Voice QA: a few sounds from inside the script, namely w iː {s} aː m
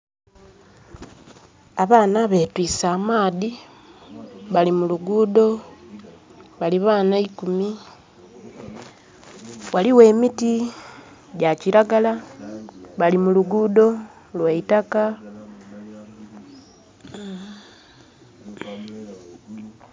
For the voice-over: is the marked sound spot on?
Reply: yes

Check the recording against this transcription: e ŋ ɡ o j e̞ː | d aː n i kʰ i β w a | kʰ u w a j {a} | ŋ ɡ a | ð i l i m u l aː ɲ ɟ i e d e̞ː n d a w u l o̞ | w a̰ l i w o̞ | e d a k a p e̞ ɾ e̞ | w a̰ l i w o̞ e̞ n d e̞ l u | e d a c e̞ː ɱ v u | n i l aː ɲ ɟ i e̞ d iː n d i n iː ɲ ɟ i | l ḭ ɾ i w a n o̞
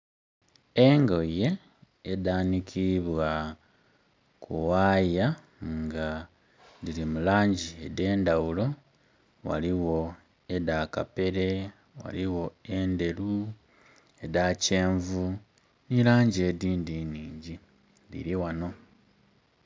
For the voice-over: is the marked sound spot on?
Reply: yes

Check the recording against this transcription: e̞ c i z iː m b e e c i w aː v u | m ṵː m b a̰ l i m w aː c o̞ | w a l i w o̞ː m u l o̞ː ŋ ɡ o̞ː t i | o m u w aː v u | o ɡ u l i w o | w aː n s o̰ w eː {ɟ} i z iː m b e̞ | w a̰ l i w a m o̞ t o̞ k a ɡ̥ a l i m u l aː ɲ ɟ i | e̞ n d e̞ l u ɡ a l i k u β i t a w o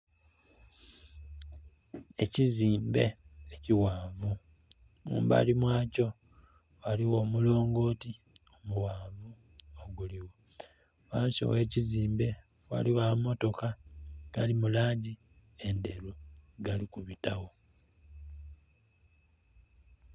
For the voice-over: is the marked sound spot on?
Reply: no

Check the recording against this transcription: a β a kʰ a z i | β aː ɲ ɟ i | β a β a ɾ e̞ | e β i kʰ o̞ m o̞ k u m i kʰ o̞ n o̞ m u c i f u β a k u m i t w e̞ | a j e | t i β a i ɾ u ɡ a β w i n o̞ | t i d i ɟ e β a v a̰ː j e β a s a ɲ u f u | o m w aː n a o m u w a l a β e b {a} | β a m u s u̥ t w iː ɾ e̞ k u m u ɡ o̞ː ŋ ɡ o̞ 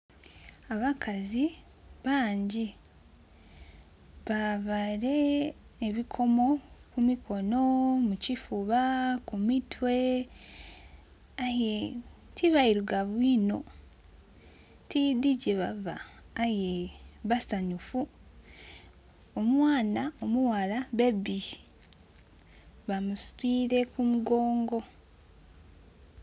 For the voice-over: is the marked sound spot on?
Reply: no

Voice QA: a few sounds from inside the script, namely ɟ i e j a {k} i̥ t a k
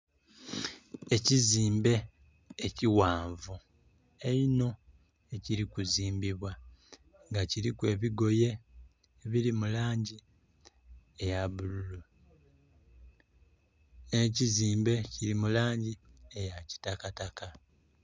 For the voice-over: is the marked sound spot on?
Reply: no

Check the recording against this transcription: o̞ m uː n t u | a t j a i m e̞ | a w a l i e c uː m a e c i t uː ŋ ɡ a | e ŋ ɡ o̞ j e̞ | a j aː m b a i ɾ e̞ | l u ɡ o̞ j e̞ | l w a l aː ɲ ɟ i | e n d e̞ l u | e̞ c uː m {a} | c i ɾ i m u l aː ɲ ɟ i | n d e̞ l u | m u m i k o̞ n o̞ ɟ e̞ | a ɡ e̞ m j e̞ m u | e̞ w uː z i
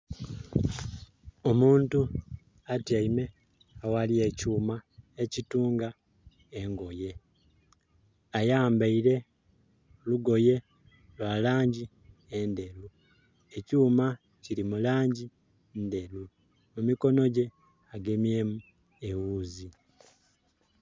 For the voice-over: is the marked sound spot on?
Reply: yes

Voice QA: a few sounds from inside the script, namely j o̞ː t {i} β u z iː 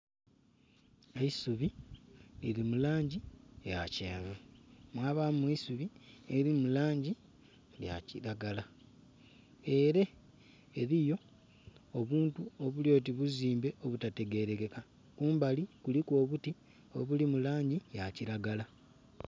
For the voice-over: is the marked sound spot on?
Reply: yes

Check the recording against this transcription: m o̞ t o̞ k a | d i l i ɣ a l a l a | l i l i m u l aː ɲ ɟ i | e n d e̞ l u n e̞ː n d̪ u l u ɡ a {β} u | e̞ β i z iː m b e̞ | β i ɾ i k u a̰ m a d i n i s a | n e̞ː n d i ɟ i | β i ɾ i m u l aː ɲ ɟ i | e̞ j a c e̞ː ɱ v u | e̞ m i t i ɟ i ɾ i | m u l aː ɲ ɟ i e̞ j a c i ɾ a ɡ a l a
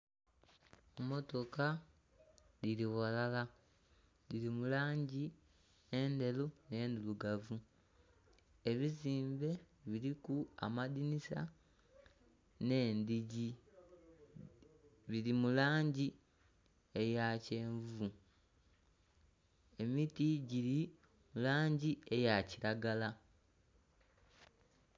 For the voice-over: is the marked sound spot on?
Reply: no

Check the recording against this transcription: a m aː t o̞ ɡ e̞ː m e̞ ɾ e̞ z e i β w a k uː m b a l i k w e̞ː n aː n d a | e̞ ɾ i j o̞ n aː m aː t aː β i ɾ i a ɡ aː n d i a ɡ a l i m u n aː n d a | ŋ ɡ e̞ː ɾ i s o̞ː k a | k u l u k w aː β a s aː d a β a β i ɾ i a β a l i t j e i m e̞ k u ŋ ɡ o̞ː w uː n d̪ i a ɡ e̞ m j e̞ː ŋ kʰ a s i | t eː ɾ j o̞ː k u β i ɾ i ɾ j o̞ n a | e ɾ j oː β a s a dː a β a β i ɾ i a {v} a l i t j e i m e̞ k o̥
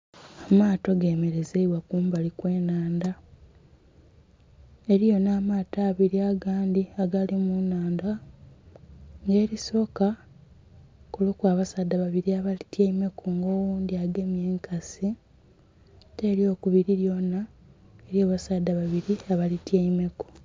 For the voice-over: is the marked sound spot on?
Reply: no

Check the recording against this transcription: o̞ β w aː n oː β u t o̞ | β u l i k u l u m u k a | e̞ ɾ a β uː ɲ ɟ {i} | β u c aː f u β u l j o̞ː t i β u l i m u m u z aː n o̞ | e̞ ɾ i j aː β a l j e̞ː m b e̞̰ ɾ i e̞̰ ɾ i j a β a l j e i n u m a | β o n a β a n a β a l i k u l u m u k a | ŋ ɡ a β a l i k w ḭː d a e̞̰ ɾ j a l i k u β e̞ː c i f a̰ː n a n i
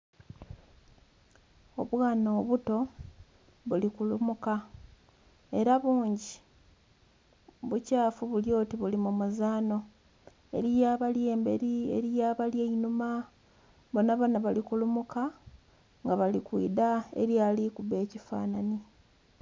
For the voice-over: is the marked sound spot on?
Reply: yes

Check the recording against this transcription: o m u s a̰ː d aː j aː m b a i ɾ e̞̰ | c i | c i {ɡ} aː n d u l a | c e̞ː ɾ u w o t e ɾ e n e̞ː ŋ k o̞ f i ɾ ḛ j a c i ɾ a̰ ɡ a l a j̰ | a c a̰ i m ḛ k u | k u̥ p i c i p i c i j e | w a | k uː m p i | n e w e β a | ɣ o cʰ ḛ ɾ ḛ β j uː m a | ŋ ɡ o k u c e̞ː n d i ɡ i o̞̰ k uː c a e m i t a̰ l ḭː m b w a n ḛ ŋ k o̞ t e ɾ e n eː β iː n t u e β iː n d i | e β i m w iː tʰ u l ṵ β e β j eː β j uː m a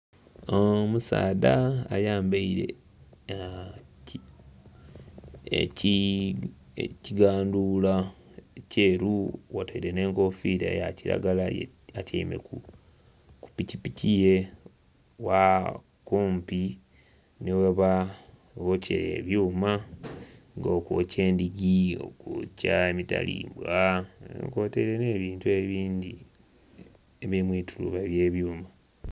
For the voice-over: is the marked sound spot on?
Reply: yes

